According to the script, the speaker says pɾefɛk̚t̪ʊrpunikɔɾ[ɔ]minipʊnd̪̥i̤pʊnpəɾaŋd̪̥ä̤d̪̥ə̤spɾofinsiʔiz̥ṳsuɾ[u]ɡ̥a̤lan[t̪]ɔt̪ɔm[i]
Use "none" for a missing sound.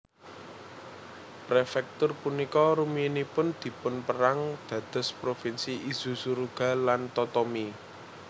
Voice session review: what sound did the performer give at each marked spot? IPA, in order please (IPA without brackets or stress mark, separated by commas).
u, u, t̪, i